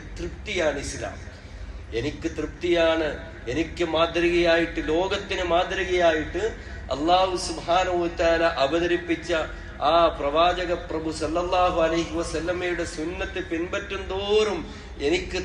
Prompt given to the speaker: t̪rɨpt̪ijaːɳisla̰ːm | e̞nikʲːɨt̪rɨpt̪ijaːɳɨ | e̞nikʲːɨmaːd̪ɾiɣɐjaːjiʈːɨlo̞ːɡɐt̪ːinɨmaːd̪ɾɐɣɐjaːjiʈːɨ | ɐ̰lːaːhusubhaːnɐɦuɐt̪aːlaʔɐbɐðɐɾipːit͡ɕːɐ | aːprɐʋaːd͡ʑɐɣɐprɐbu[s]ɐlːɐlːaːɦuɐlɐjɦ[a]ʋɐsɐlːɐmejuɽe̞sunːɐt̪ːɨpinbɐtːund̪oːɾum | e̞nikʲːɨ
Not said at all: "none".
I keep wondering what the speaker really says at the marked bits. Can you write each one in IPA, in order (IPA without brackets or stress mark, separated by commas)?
s, i